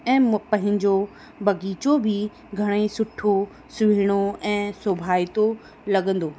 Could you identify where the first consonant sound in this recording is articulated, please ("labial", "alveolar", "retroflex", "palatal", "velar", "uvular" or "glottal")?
labial